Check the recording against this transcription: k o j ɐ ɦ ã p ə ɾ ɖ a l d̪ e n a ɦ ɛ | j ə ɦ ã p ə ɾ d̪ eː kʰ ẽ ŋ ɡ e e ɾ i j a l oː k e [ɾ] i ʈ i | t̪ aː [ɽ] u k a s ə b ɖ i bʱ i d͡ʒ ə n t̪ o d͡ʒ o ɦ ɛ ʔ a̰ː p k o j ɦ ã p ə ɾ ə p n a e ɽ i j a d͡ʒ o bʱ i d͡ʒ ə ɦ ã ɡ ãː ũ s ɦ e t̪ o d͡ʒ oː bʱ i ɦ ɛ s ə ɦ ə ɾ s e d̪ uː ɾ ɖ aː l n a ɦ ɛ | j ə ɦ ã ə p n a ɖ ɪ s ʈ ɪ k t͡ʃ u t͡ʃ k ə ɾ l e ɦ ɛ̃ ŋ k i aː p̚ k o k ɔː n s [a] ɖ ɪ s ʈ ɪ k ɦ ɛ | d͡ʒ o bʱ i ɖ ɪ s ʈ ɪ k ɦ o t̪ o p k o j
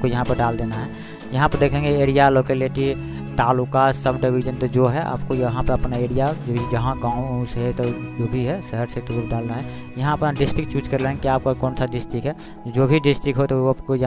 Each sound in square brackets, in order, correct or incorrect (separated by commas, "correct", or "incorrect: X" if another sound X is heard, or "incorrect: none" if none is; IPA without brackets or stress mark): incorrect: l, incorrect: l, correct